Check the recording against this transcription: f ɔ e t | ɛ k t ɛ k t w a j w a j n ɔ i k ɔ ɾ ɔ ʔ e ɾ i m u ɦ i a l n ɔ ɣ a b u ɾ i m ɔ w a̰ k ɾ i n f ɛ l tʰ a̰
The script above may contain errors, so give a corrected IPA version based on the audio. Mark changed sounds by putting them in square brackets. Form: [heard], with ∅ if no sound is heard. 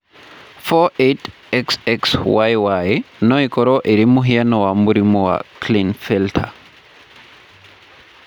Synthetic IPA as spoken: f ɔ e t | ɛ k [s] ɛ k [s] w a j w a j n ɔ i k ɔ ɾ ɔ ʔ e ɾ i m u ɦ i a [∅] n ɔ [w] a [m] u ɾ i m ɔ w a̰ k [l] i n f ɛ l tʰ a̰